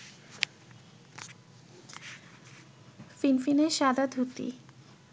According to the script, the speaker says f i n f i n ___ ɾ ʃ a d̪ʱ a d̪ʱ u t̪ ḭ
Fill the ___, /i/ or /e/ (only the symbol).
e